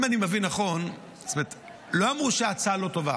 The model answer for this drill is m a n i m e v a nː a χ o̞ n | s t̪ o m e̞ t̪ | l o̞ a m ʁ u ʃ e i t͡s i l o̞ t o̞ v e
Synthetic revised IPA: m a n i m e v i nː a χ o̞ n | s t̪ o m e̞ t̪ | l o̞ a m ʁ u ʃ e a t͡s a l o̞ t o̞ v a